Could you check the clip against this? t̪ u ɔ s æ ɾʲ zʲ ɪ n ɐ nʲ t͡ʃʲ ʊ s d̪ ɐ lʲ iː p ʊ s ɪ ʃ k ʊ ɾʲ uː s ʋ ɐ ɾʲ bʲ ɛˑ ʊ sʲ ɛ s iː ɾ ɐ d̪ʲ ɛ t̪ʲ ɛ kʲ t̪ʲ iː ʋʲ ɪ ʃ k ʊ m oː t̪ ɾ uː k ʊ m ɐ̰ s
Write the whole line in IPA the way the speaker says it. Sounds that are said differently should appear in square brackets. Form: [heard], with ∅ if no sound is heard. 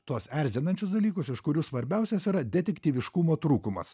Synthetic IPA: t̪ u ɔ s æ ɾʲ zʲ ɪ n ɐ nʲ t͡ʃʲ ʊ s d̪ ɐ lʲ iː [k] ʊ s ɪ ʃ k ʊ ɾʲ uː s ʋ ɐ ɾʲ bʲ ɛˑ ʊ sʲ ɛ s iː ɾ ɐ d̪ʲ ɛ t̪ʲ ɛ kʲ t̪ʲ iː ʋʲ ɪ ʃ k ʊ m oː t̪ ɾ uː k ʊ m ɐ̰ s